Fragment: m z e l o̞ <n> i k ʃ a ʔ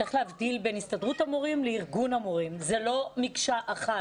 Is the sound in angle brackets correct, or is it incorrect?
incorrect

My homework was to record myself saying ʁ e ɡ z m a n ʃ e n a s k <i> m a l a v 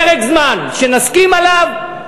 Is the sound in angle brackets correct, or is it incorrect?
correct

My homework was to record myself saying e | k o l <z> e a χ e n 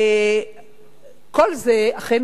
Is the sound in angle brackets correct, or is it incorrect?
correct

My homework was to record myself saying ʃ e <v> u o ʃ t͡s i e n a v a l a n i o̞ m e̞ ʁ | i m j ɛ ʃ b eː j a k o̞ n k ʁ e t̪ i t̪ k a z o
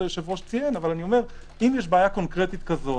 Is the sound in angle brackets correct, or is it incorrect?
correct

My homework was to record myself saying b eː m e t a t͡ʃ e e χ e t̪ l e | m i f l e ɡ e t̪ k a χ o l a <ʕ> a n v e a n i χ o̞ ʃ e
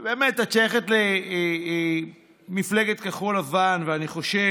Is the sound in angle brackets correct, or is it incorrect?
incorrect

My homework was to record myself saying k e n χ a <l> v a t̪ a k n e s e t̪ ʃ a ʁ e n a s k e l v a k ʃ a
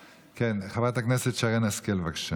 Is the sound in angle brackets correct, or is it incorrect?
incorrect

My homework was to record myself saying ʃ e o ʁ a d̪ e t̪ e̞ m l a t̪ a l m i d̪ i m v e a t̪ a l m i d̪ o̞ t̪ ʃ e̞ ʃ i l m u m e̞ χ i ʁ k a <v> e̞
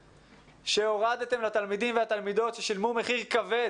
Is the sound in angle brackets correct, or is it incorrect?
correct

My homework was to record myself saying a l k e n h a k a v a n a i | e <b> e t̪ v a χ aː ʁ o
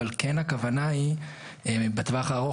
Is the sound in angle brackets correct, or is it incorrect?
correct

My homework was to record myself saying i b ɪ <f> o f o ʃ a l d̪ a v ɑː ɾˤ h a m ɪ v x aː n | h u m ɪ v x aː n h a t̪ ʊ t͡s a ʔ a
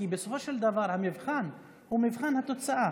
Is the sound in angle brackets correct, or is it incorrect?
incorrect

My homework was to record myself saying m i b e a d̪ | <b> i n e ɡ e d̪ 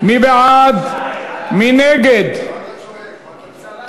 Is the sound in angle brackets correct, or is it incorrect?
incorrect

